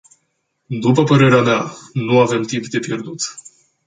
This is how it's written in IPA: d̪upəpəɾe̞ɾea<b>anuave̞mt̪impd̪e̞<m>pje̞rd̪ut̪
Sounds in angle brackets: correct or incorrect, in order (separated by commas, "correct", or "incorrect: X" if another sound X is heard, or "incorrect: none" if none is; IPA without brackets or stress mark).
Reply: incorrect: m, incorrect: none